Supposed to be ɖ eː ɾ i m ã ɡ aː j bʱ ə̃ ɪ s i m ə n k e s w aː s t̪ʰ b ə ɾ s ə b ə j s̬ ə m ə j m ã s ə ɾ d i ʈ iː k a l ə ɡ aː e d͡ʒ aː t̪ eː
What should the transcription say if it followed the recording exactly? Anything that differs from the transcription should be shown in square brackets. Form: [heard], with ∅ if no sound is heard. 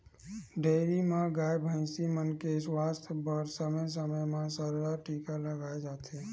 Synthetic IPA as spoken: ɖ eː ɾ i m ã ɡ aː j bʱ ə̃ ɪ s i m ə n k e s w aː s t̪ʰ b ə ɾ s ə [m] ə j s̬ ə m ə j m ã s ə ɾ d [a] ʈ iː k a l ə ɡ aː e d͡ʒ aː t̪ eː